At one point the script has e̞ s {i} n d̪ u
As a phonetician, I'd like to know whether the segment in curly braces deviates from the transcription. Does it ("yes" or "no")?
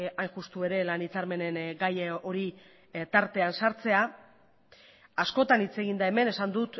yes